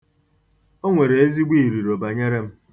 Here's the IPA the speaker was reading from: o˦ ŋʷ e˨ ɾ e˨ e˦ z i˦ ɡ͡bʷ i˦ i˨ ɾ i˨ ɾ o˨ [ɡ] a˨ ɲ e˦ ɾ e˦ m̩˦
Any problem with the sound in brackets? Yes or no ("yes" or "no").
yes